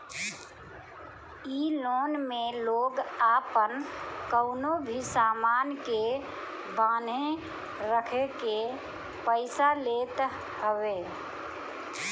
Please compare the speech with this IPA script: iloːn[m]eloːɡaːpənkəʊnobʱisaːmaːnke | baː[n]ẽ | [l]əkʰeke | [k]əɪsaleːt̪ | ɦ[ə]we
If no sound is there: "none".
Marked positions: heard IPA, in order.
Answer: m, n, ɾ, p, ə

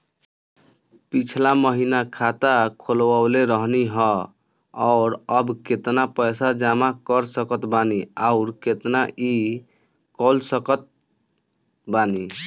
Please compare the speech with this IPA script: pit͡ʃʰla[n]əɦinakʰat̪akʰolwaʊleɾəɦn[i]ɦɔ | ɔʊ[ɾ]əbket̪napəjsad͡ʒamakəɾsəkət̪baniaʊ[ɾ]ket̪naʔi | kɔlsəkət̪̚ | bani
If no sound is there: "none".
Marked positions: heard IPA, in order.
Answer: m, i, ɾ, ɾ

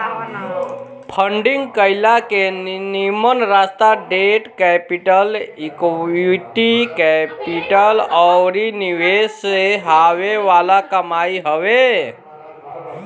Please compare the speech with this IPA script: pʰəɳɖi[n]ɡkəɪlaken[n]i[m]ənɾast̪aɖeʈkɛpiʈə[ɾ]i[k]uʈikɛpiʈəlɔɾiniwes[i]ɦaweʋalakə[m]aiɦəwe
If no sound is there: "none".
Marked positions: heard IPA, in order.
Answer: ŋ, n, m, l, k, e, m

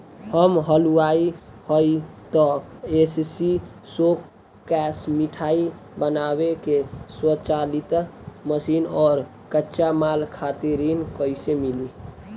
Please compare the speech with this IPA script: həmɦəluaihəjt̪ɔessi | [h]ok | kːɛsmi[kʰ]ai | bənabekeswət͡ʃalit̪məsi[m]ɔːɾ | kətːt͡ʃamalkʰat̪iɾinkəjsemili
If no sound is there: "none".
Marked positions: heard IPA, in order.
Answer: s, ʈʰ, n

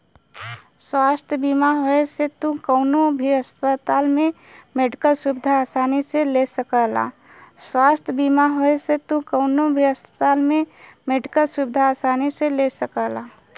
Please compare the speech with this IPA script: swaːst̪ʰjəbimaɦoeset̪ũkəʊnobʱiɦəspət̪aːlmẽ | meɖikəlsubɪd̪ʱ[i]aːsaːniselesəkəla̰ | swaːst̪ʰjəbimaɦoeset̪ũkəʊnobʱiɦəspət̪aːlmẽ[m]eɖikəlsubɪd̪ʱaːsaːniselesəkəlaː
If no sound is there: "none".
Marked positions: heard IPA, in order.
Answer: a, m

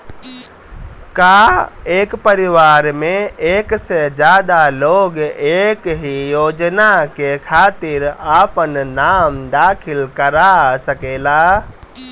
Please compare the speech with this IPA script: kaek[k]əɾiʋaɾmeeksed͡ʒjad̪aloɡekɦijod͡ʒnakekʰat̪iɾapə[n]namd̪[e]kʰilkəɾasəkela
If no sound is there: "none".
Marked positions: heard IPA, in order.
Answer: p, n, a

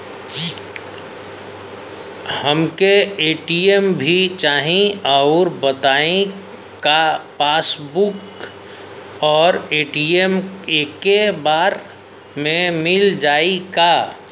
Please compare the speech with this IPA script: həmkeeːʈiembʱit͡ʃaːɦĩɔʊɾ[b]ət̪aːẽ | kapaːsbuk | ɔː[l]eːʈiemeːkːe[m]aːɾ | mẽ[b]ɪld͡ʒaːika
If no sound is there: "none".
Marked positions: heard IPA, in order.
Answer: b, ɾ, b, m

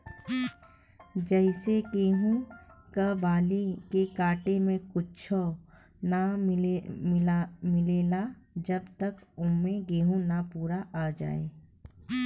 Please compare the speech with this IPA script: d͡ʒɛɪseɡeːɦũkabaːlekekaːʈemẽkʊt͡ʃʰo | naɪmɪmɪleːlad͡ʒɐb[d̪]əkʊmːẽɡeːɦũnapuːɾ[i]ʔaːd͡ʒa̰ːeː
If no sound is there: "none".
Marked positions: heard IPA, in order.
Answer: t̪, a

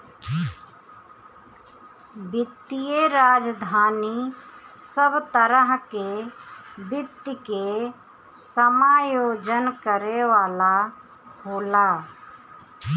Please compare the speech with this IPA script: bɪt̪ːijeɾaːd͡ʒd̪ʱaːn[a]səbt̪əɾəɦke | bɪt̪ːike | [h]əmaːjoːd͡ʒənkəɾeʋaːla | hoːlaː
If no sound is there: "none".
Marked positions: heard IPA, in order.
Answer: i, s

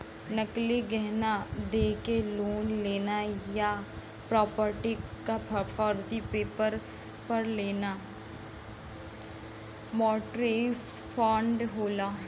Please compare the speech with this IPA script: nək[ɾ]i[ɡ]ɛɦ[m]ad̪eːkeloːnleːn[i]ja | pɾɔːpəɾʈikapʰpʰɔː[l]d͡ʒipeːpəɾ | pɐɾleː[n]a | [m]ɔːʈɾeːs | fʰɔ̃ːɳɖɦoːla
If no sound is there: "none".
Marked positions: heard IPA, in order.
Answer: l, ɡ, n, a, ɾ, n, m

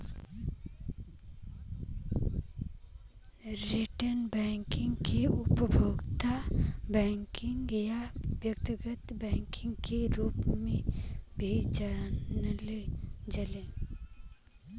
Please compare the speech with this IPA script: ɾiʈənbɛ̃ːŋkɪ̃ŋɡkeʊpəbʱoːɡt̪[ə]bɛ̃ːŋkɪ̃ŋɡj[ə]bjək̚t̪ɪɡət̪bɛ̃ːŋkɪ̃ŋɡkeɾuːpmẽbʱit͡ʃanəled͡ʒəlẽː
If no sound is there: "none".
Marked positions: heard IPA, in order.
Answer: a, a

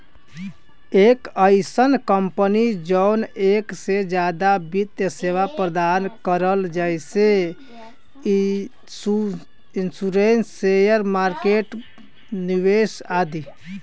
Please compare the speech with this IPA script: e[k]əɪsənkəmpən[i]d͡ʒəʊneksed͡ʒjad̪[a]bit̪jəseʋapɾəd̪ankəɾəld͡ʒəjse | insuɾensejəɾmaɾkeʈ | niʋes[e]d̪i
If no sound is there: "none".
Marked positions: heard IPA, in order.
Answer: k, i, a, a

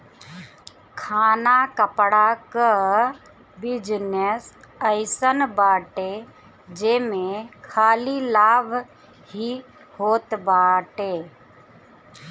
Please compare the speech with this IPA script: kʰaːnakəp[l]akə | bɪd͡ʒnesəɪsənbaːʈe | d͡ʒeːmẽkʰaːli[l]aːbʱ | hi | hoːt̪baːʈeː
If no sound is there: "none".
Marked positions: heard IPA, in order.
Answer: ɽ, l

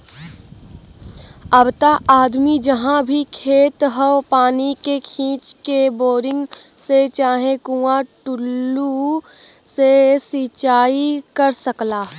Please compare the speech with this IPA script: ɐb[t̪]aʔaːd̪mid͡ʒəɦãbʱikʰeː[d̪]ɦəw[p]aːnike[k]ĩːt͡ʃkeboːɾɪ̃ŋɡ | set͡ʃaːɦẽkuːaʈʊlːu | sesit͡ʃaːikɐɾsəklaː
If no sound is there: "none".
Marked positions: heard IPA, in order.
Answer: t̪, t̪, p, kʰ

